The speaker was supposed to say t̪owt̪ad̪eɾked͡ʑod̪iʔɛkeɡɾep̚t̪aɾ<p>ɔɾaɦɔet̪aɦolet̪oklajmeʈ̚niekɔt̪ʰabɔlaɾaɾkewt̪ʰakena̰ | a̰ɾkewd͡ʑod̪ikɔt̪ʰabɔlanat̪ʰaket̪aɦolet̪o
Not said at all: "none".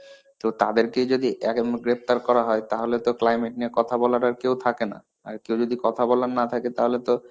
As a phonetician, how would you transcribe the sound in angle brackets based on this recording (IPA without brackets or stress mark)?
k